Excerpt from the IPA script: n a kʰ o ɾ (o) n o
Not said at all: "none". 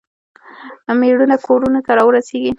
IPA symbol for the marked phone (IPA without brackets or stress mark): u